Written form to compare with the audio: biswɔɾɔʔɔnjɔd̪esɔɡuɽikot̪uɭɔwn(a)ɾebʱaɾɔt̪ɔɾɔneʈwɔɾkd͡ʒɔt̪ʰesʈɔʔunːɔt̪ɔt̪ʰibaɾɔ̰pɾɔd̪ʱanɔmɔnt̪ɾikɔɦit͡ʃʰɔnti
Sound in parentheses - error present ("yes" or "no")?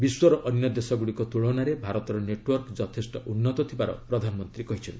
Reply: no